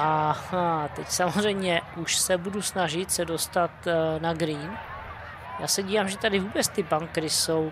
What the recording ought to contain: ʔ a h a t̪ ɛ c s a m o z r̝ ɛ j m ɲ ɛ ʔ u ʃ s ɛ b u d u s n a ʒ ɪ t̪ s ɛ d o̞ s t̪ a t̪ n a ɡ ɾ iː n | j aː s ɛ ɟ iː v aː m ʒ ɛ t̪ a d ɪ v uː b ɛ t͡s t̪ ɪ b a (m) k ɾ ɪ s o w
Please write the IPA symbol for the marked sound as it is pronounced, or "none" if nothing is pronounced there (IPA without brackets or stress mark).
ŋ